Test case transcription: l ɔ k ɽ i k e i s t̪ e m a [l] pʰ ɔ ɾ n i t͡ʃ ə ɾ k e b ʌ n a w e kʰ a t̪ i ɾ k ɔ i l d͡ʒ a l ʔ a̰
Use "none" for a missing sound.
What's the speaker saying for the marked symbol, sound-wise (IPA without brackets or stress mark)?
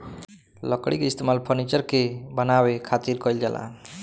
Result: l